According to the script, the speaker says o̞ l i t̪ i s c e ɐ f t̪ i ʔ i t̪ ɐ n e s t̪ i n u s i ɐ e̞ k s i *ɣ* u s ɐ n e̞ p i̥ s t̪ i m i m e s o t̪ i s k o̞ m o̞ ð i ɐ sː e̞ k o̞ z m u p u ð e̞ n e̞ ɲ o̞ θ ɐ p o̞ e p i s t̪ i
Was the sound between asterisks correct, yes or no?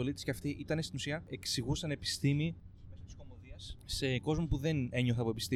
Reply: yes